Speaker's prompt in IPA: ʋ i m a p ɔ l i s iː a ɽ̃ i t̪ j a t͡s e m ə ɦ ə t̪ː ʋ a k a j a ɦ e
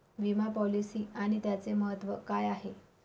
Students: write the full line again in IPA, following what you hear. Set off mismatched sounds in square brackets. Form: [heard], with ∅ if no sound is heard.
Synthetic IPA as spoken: ʋ i m a p ɔ l i s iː a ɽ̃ i t̪ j a t͡s e m ə ɦ ə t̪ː ʋ [ə] k a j a ɦ e